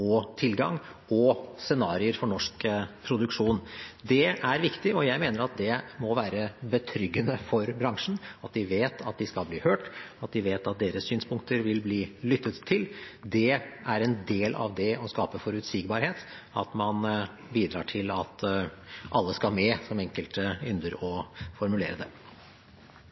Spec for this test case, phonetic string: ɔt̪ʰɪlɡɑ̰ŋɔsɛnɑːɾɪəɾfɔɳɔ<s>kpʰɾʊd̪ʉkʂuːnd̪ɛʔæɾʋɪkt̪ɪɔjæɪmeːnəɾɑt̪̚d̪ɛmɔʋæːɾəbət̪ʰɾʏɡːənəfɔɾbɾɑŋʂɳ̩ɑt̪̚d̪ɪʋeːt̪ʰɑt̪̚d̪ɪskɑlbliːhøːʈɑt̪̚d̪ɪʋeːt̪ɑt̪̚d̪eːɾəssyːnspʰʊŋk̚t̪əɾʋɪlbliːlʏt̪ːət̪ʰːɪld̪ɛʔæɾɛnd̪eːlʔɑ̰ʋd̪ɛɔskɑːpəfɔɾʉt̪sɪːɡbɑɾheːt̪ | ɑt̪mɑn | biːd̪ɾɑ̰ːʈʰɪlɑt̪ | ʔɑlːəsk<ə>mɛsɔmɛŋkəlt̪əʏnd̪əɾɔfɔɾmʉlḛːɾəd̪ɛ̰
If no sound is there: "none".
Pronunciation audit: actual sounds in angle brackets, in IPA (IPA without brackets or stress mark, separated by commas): ʂ, ɑ